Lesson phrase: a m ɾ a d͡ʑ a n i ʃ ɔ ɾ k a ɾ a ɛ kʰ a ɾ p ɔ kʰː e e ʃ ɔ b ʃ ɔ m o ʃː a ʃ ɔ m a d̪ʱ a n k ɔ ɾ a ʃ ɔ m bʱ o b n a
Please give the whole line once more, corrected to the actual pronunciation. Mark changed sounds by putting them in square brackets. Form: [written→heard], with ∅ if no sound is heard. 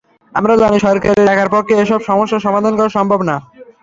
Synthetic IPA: a m ɾ a d͡ʑ a n i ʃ ɔ ɾ k a ɾ [a→e] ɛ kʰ a ɾ p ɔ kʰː e e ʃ ɔ b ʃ ɔ m o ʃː a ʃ ɔ m a d̪ʱ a n k ɔ ɾ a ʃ ɔ m bʱ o b n a